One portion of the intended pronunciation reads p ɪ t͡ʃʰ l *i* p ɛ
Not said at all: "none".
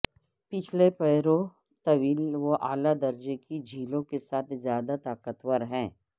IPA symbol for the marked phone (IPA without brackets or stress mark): e